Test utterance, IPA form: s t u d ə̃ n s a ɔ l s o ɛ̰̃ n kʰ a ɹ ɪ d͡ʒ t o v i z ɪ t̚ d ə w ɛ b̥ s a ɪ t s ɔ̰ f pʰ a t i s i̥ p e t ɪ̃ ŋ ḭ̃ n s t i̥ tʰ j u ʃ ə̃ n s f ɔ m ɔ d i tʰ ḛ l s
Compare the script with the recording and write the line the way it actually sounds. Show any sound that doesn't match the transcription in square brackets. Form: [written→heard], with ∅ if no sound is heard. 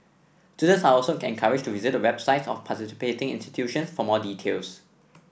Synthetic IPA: s t u d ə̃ n s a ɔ l s o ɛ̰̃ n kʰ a ɹ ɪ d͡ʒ t [o→u] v i z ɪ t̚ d ə w ɛ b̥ s a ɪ t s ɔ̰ f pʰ a t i s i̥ p e t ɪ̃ ŋ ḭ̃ n s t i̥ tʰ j u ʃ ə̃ n s f ɔ m ɔ d i tʰ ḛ l s